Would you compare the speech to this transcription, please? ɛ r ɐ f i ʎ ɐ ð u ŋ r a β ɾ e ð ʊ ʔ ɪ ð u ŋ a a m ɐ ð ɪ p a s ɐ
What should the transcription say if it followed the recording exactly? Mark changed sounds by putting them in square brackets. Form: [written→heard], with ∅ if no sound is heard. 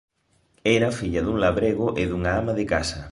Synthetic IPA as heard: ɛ [r→ɾ] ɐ f i ʎ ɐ ð u ŋ [r→l] a β ɾ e [ð→ɣ] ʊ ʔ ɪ ð u ŋ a a m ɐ ð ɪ [p→k] a s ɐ